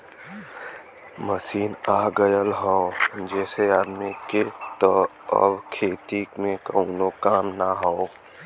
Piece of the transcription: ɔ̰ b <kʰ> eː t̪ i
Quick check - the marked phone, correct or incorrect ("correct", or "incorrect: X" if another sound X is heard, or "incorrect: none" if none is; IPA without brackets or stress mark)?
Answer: correct